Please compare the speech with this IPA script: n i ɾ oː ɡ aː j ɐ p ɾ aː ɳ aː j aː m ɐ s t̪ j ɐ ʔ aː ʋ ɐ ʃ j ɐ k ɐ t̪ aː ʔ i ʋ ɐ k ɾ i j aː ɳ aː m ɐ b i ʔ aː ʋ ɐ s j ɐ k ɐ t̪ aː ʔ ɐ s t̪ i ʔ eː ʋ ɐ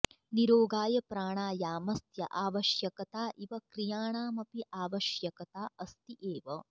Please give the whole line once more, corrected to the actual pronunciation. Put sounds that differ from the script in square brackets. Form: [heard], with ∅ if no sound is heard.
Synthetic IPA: n i ɾ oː ɡ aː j ɐ p ɾ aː ɳ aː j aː m ɐ s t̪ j ɐ ʔ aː ʋ ɐ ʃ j ɐ k ɐ t̪ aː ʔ i ʋ ɐ k ɾ i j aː ɳ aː m ɐ [p] i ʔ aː ʋ ɐ [ʃ] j ɐ k ɐ t̪ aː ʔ ɐ s t̪ i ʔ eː ʋ ɐ

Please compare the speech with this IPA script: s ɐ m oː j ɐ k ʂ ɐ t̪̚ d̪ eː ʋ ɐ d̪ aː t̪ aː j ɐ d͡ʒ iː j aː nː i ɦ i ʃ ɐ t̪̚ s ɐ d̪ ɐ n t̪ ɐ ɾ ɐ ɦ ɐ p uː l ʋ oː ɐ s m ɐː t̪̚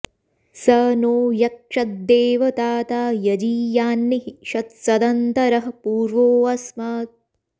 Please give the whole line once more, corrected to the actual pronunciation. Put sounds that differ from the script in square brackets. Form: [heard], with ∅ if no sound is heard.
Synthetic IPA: s ɐ [n] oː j ɐ k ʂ ɐ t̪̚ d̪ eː ʋ ɐ [t̪] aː t̪ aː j ɐ d͡ʒ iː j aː nː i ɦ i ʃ ɐ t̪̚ s ɐ d̪ ɐ n t̪ ɐ ɾ ɐ ɦ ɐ p uː [ɾ] ʋ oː ɐ s m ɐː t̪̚

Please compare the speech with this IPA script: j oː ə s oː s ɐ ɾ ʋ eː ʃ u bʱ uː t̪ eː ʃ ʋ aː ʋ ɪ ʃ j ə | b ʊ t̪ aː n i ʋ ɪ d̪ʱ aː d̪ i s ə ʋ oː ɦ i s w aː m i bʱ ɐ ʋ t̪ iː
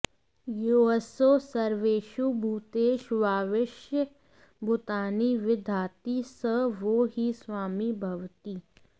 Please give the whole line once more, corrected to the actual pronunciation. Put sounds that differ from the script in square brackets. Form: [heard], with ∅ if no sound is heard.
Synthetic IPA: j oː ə s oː s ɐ ɾ ʋ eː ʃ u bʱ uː t̪ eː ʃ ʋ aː ʋ ɪ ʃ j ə | b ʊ t̪ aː n i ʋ ɪ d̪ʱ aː [t̪] i s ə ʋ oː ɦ i s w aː m i bʱ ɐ ʋ t̪ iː

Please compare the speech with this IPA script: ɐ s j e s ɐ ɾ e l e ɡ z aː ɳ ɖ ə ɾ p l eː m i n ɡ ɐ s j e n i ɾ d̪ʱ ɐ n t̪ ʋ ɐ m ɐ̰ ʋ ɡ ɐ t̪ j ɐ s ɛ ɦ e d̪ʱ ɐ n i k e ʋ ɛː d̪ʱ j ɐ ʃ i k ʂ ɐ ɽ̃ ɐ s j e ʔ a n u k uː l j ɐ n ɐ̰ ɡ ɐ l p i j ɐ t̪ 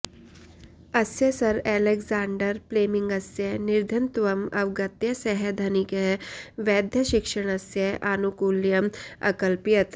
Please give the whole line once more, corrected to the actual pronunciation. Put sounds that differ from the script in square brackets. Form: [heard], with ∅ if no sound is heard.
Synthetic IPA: ɐ s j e s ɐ ɾ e l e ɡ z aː ɳ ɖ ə ɾ p l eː m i [ŋ] ɡ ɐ s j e n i ɾ d̪ʱ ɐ n t̪ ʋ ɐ m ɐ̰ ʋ ɡ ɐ t̪ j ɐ s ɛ ɦ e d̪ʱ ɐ n i k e ʋ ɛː d̪ʱ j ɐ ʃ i k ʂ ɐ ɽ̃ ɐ s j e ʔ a n u k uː l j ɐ [m] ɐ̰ [k] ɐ l p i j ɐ t̪

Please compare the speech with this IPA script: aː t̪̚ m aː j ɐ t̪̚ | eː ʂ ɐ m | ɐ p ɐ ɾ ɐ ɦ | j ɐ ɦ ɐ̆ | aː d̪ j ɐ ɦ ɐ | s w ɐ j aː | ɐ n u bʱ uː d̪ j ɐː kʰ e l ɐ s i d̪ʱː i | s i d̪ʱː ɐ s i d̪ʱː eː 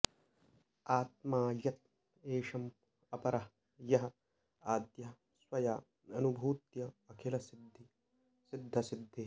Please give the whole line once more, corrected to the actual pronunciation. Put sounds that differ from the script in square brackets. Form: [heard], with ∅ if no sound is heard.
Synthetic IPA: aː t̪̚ m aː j ɐ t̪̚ | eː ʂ ɐ m | ɐ p ɐ ɾ ɐ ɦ | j ɐ ɦ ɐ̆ | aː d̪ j ɐ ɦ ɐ | s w ɐ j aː | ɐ n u bʱ uː [t̪] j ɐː kʰ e l ɐ s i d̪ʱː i | s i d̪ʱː ɐ s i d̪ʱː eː

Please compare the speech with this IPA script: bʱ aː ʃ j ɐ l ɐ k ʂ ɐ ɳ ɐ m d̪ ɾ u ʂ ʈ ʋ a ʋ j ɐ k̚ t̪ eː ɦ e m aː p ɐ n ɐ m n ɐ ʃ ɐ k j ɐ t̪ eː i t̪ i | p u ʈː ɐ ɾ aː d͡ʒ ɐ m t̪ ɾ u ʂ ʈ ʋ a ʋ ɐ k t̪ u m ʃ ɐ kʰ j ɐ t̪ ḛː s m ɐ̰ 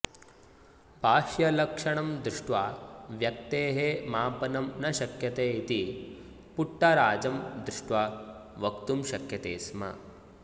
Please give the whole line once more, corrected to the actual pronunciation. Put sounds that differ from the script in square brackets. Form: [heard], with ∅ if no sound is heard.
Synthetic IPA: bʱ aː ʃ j ɐ l ɐ k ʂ ɐ ɳ ɐ m d̪ ɾ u ʂ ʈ ʋ a ʋ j ɐ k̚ t̪ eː ɦ e m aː p ɐ n ɐ m n ɐ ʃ ɐ k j ɐ t̪ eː i t̪ i | p u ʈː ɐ ɾ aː d͡ʒ ɐ m [d̪] ɾ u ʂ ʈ ʋ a ʋ ɐ k t̪ u m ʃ ɐ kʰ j ɐ t̪ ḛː s m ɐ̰

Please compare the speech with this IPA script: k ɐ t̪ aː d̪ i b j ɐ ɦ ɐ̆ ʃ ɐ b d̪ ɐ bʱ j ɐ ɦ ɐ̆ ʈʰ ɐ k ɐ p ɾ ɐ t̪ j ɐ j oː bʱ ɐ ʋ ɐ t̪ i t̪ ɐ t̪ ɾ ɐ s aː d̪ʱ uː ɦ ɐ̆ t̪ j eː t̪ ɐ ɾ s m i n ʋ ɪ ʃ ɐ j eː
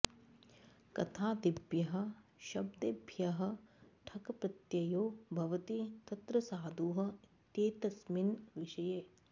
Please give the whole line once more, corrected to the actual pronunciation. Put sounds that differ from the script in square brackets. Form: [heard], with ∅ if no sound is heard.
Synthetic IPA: k ɐ [t̪ʰ] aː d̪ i b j ɐ ɦ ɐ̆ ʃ ɐ b d̪ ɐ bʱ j ɐ ɦ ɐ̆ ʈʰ ɐ k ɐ p ɾ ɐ t̪ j ɐ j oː bʱ ɐ ʋ ɐ t̪ i t̪ ɐ t̪ ɾ ɐ s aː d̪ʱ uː ɦ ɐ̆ t̪ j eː t̪ ɐ [∅] s m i n ʋ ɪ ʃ ɐ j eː

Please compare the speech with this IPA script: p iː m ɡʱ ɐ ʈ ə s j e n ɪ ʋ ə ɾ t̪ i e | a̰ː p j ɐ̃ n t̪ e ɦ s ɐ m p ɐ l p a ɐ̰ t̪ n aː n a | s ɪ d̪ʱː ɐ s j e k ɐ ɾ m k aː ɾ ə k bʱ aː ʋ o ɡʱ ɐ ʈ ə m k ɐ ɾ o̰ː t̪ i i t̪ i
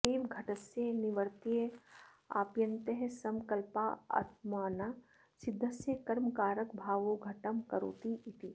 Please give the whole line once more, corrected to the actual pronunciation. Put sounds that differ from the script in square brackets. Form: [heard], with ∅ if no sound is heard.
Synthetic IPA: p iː m ɡʱ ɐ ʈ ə s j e n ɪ ʋ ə ɾ t̪ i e | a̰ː p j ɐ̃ n t̪ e ɦ s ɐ m [k] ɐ l p a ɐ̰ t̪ [m] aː n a | s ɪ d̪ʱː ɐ s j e k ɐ ɾ m k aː ɾ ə k bʱ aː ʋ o ɡʱ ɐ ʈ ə m k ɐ ɾ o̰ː t̪ i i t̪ i

